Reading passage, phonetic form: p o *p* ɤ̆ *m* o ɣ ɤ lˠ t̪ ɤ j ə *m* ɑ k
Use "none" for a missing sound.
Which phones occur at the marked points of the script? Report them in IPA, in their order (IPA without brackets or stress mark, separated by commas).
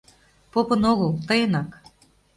p, n, n